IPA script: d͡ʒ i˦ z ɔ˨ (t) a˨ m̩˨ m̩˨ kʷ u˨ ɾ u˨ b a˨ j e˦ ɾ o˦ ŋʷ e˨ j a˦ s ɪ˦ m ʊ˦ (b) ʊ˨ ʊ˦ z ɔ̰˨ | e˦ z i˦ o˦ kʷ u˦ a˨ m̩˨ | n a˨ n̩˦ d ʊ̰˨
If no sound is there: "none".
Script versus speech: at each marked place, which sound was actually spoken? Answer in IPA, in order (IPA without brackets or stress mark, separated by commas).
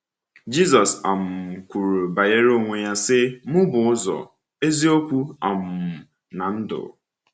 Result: s, b